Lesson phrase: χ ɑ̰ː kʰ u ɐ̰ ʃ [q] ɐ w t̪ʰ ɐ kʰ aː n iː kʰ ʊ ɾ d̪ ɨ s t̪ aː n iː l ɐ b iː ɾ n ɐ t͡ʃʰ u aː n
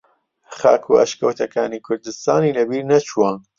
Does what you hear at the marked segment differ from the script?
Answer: yes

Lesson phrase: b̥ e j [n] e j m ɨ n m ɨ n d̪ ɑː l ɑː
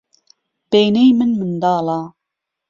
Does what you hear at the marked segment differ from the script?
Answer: no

